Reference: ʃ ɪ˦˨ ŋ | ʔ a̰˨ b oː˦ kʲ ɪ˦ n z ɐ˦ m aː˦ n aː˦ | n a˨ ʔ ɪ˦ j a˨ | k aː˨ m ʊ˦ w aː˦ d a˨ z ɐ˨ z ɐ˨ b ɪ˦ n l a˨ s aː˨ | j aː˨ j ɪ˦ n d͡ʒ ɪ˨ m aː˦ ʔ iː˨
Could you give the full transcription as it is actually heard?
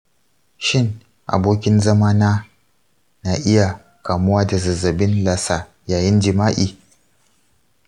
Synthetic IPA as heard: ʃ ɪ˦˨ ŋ | ʔ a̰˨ b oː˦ kʲ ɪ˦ n z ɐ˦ m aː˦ n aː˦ | n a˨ ʔ ɪ˦ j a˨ | k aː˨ m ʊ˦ w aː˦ d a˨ z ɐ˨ z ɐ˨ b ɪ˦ n l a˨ s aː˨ | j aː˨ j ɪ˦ n d͡ʒ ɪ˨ m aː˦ ʔ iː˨